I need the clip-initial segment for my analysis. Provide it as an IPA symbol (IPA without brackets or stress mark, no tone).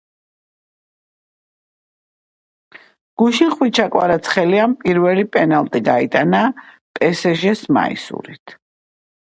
ɡ̥